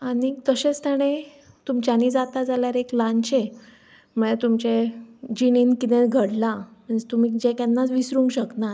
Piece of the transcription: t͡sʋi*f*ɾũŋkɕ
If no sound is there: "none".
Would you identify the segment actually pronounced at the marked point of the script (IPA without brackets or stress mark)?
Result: s